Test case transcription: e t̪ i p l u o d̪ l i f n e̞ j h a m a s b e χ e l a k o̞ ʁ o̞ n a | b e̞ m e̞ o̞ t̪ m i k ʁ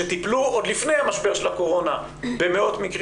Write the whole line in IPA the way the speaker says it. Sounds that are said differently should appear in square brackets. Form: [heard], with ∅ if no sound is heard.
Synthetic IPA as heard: e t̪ i p l u o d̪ l i f n e̞ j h a m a [ʃ] b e [ʃ] e l a k o̞ ʁ o̞ n a | b e̞ m e̞ o̞ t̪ m i k ʁ